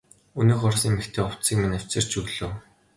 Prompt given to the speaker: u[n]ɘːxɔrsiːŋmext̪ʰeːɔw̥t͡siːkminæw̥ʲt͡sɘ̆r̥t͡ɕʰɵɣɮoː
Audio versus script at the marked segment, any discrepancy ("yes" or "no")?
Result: no